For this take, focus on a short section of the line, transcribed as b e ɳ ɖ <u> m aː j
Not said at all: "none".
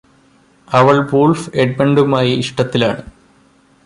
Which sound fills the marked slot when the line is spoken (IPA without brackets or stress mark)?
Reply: u